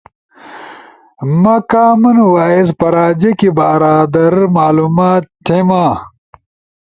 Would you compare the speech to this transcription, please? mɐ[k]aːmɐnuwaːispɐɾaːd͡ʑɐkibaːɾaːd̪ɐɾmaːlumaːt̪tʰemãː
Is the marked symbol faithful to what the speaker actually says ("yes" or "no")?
yes